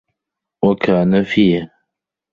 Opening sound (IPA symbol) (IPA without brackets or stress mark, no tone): w